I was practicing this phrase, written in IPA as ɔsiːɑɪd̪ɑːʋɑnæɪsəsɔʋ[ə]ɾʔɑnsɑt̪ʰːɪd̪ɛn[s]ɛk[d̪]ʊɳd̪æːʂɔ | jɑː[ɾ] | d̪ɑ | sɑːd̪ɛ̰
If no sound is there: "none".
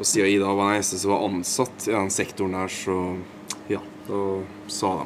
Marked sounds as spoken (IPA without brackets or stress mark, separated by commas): ɑ, s, t̪, none